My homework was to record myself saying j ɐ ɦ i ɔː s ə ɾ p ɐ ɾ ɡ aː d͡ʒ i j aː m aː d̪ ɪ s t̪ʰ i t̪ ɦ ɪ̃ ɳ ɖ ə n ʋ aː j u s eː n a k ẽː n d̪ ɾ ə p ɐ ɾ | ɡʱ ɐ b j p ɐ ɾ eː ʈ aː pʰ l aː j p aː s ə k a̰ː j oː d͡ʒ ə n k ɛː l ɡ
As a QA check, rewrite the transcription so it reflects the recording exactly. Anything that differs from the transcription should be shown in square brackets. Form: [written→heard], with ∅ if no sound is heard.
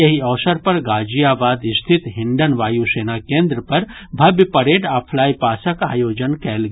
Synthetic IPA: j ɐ ɦ i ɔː s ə ɾ p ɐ ɾ ɡ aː d͡ʒ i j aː [m→b] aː d̪ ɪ s t̪ʰ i t̪ ɦ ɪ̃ ɳ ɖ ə n ʋ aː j u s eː n a k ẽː n d̪ ɾ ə p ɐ ɾ | [ɡʱ→bʱ] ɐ b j p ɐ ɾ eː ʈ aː pʰ l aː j p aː s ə k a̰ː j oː d͡ʒ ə n k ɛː l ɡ